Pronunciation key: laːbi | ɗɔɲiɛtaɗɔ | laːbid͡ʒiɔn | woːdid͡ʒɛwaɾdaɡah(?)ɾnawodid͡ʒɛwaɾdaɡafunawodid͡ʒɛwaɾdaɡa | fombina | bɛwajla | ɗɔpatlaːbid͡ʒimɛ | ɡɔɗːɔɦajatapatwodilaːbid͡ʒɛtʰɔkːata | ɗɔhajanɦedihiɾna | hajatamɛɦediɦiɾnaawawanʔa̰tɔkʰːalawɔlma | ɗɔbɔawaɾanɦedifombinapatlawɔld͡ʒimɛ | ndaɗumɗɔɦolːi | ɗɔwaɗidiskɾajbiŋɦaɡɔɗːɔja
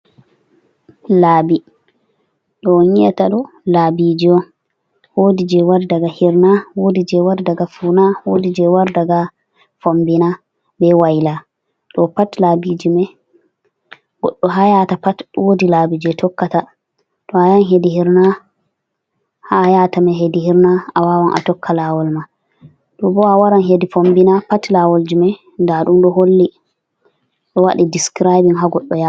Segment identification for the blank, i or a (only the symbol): i